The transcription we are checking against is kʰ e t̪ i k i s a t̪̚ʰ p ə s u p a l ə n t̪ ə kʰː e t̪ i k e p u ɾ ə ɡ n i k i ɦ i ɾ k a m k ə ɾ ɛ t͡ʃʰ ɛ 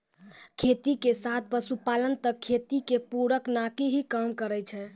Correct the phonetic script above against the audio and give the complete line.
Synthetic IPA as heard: kʰ e t̪ i k e s a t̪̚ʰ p ə s u p a l ə n t̪ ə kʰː e t̪ i k e p u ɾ ə k n a k i ɦ i k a m k ə ɾ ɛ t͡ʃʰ ɛ